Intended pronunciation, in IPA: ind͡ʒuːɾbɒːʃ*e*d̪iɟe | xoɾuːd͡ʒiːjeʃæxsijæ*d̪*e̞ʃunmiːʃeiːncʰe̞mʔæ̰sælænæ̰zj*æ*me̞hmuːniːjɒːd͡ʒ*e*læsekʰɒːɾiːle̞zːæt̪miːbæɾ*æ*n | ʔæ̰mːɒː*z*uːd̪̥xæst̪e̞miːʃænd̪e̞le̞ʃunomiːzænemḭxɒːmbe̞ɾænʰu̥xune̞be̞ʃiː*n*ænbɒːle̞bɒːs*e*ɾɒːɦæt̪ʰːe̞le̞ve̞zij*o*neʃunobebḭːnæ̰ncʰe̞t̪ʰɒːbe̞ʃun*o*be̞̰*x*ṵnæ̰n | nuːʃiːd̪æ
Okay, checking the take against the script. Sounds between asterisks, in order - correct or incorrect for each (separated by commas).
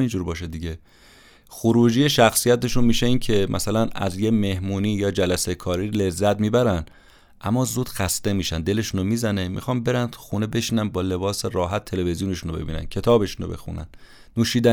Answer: correct, incorrect, incorrect, incorrect, correct, correct, correct, correct, incorrect, correct, correct